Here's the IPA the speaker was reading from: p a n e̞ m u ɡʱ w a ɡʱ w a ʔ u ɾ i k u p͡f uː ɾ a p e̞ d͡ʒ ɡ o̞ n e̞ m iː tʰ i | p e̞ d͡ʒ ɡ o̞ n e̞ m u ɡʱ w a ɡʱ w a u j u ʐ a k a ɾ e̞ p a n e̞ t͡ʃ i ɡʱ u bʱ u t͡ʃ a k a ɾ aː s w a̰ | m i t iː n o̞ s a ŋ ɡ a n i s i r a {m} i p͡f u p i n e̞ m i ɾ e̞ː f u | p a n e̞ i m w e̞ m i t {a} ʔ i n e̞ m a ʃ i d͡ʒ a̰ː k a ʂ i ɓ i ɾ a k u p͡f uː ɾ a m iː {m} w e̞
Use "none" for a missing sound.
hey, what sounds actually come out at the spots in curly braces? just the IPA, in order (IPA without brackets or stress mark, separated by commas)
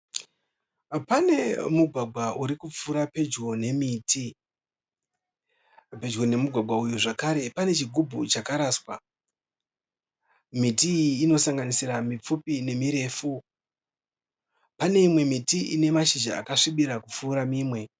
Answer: m, i, m